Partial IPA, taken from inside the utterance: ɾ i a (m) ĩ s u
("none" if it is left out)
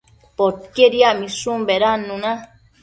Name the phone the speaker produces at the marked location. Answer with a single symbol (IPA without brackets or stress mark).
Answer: m